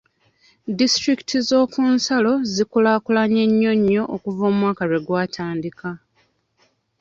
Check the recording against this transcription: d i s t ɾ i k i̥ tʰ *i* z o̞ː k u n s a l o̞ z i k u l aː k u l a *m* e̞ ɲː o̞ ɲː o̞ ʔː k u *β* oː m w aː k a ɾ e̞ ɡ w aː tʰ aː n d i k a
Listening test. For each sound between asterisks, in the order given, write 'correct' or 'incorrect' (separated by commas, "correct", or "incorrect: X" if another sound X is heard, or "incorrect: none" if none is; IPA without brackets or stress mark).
correct, incorrect: ɲ, incorrect: v